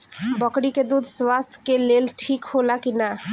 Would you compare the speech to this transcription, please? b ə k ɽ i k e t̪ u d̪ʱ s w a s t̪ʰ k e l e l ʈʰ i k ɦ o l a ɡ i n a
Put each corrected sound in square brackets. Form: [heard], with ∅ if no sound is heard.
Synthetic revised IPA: b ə k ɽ i k e [d̪] u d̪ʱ s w a s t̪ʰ k e l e l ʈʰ i k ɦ o l a [k] i n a